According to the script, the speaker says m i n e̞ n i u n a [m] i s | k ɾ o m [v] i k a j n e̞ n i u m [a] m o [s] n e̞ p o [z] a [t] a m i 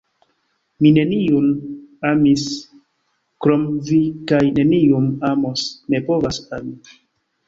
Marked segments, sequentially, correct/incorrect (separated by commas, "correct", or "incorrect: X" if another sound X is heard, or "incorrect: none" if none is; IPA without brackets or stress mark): correct, correct, correct, correct, incorrect: v, incorrect: s